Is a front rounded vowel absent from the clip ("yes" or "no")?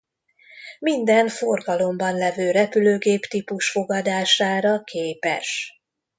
no